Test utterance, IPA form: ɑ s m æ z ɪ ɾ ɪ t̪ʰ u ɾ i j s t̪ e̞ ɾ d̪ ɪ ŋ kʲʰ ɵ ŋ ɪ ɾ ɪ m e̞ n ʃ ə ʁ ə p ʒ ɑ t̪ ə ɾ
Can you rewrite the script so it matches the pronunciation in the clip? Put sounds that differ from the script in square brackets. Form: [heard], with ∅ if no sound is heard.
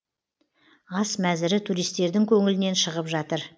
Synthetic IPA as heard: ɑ s m æ z ɪ ɾ ɪ t̪ʰ u ɾ i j s t̪ e̞ ɾ d̪ ɪ ŋ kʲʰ ɵ ŋ ɪ [l] ɪ [n] e̞ n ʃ ə ʁ ə p ʒ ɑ t̪ ə ɾ